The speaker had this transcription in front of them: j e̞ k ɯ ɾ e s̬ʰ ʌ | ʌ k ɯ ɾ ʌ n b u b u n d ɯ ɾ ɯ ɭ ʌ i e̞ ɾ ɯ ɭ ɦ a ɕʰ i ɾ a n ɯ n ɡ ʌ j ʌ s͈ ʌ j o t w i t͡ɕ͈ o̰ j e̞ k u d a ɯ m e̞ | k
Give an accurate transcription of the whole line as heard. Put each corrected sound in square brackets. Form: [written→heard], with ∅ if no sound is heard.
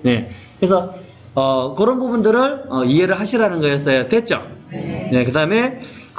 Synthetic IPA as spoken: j e̞ k ɯ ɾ e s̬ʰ ʌ | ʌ k ɯ ɾ ʌ n b u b u n d ɯ ɾ ɯ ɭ ʌ i e̞ ɾ ɯ ɭ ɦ a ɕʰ i ɾ a n ɯ n ɡ ʌ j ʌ s͈ ʌ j o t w [i→e] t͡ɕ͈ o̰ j e̞ k [u→ɯ] d a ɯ m e̞ | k